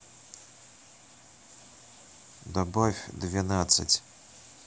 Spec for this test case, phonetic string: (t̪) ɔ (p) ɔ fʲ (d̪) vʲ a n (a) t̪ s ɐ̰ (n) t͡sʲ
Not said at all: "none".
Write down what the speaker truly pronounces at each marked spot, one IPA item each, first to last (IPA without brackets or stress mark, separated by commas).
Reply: d̪, b, d̪, a, none